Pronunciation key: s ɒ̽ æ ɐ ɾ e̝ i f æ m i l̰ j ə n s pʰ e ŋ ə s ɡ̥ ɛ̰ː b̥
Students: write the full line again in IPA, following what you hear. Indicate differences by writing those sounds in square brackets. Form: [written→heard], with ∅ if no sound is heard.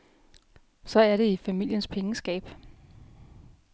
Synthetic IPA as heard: s ɒ̽ æ ɐ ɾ e̝ i f æ m i l̰ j ə n s pʰ e ŋ ə s ɡ̥ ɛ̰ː b̥